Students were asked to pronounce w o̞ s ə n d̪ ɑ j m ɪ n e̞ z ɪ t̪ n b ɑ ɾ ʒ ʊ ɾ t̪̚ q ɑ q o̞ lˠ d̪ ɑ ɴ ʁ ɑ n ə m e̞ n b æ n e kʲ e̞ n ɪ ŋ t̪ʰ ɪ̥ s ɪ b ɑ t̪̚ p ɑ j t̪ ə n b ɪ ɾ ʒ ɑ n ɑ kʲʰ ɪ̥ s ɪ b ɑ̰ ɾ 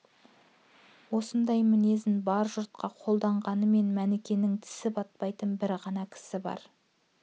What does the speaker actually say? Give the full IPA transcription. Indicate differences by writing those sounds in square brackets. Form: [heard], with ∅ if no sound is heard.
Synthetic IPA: w o̞ s ə n d̪ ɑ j m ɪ n e̞ z ɪ [∅] n b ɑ ɾ ʒ ʊ ɾ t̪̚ q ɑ [qʰ] o̞ lˠ d̪ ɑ ɴ ʁ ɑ n ə m e̞ n [m] æ n e kʲ e̞ n ɪ ŋ t̪ʰ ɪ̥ s ɪ b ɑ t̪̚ p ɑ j t̪ ə n b ɪ ɾ [ʁ] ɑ n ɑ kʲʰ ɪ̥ s ɪ b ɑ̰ ɾ

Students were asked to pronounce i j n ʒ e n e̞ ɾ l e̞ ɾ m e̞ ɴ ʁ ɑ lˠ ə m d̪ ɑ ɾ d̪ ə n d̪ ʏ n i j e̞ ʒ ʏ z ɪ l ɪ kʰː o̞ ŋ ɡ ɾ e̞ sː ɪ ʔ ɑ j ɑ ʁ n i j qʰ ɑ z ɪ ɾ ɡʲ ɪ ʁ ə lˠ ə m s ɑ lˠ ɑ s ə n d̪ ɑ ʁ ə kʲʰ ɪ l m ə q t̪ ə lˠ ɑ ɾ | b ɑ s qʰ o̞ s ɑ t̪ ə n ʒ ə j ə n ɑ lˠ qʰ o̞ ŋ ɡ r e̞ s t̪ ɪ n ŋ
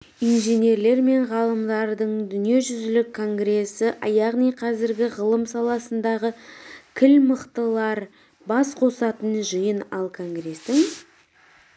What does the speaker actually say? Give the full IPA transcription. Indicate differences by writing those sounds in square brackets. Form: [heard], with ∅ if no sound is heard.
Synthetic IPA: i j n ʒ e n e̞ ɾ l e̞ ɾ m e̞ ɴ ʁ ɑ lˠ ə m d̪ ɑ ɾ d̪ ə [ɴ] d̪ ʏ n i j e̞ ʒ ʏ z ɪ l ɪ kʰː o̞ ŋ ɡ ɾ e̞ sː ɪ ʔ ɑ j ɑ ʁ n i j qʰ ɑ z ɪ ɾ ɡʲ ɪ ʁ ə lˠ ə m s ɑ lˠ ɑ s ə n d̪ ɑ ʁ ə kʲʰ ɪ l m ə q t̪ ə lˠ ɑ ɾ | b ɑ s qʰ o̞ s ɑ t̪ ə n ʒ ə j ə n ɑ lˠ [kʰ] o̞ ŋ ɡ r e̞ s t̪ ɪ [∅] ŋ

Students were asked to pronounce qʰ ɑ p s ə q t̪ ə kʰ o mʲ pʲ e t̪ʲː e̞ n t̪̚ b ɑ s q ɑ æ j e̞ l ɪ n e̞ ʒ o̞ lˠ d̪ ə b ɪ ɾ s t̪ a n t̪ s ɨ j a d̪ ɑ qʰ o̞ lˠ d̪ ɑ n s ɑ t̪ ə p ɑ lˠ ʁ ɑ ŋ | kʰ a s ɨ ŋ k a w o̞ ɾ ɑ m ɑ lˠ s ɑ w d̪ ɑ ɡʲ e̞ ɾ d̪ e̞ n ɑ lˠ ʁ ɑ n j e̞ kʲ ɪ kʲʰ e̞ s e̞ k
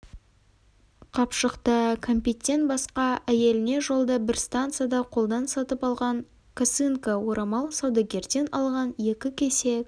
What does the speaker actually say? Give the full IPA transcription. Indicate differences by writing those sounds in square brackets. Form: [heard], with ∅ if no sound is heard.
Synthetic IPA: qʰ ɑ p [ʃ] ə q t̪ ə kʰ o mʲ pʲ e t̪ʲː e̞ n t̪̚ b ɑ s q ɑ æ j e̞ l ɪ n e̞ ʒ o̞ lˠ d̪ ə b ɪ ɾ s t̪ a n t̪ s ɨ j a d̪ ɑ qʰ o̞ lˠ d̪ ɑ n s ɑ t̪ ə p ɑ lˠ ʁ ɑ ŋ | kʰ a s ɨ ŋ k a w o̞ ɾ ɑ m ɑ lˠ s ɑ w d̪ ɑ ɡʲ e̞ ɾ d̪ e̞ n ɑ lˠ ʁ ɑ n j e̞ kʲ ɪ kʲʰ e̞ s e̞ k

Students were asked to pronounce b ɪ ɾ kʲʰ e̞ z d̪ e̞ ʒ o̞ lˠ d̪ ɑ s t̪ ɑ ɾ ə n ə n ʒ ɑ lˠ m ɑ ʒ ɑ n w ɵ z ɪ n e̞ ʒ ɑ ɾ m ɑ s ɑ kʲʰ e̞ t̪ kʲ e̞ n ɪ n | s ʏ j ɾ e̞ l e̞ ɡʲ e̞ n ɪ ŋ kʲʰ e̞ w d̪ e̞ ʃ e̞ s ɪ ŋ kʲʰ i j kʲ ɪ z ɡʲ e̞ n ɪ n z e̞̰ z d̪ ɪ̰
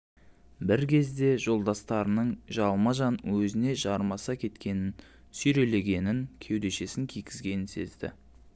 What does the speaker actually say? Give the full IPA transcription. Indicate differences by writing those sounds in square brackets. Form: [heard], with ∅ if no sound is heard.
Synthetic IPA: b ɪ ɾ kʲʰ e̞ z d̪ e̞ ʒ o̞ lˠ d̪ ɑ s t̪ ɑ ɾ ə n ə [ɴ] ʒ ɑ lˠ m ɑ ʒ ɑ n w ɵ z ɪ n e̞ ʒ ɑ ɾ m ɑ s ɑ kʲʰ e̞ t̪ kʲ e̞ n ɪ n | s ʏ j ɾ e̞ l e̞ ɡʲ e̞ n ɪ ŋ kʲʰ e̞ w d̪ e̞ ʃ e̞ s ɪ ŋ kʲʰ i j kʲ ɪ z ɡʲ e̞ n ɪ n [s] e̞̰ z d̪ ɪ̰

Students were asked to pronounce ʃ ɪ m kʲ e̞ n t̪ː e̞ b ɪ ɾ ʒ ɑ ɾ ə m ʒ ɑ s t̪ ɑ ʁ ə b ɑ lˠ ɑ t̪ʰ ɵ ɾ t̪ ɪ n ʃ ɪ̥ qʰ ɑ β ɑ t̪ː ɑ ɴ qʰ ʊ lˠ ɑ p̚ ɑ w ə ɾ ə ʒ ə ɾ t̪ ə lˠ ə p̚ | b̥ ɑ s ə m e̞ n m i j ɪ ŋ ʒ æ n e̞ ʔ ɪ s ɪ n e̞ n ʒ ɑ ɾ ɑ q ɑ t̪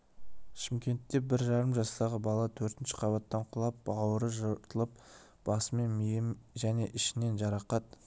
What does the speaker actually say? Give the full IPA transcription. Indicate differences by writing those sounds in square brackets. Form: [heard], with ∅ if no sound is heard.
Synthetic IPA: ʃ ɪ m kʲ e̞ n t̪ː e̞ b ɪ ɾ ʒ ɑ ɾ ə m ʒ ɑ s t̪ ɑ ʁ ə b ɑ lˠ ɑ t̪ʰ ɵ ɾ t̪ ɪ n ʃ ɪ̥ qʰ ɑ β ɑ t̪ː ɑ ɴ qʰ ʊ lˠ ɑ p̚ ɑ w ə ɾ ə ʒ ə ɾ t̪ ə lˠ ə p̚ | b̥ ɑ s ə m e̞ n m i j ɪ [m] ʒ æ n e̞ ʔ ɪ [ʃ] ɪ n e̞ n ʒ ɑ ɾ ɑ q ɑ t̪

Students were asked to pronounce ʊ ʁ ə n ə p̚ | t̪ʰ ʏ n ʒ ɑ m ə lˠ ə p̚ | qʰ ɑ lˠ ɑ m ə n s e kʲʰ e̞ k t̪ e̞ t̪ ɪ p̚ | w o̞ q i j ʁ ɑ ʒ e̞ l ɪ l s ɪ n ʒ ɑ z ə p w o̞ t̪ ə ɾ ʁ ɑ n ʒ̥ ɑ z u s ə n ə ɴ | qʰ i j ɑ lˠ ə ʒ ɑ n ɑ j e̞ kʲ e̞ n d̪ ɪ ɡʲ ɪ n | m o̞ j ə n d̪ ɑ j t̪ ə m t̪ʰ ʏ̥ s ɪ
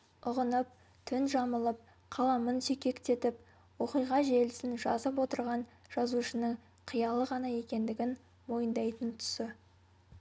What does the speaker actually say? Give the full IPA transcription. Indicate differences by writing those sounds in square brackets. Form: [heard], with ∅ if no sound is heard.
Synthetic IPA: ʊ ʁ ə n ə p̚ | t̪ʰ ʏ n ʒ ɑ m ə lˠ ə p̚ | qʰ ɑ lˠ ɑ m ə n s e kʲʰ e̞ k t̪ e̞ t̪ ɪ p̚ | w o̞ q i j ʁ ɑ ʒ e̞ l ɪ [∅] s ɪ n ʒ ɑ z ə p w o̞ t̪ ə ɾ ʁ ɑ n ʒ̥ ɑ z u [ʃ] ə n ə ɴ | qʰ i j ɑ lˠ ə [ʁ] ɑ n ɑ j e̞ kʲ e̞ n d̪ ɪ ɡʲ ɪ n | m o̞ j ə n d̪ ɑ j t̪ ə [n] t̪ʰ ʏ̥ s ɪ

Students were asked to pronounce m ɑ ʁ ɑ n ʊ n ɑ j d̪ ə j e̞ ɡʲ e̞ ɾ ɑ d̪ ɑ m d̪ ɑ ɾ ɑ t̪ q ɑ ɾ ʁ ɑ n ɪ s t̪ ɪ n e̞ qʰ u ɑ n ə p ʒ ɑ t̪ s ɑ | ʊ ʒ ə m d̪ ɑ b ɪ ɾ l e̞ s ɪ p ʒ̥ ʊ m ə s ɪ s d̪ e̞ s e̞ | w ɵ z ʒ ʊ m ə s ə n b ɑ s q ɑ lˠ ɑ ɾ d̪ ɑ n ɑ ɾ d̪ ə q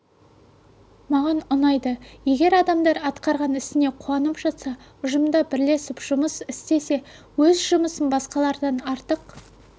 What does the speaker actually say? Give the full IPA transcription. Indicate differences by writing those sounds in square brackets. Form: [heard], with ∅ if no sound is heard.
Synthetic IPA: m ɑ ʁ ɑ n ʊ n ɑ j d̪ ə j e̞ ɡʲ e̞ ɾ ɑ d̪ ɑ m d̪ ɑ ɾ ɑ t̪ q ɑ ɾ ʁ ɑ n ɪ s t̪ ɪ n e̞ qʰ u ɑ n ə p ʒ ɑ t̪ s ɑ | ʊ ʒ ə m d̪ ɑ b ɪ ɾ l e̞ s ɪ p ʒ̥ ʊ m ə s ɪ s [t̪] e̞ s e̞ | w ɵ z ʒ ʊ m ə s ə n b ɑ s q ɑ lˠ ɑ ɾ d̪ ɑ n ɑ ɾ [t̪] ə q

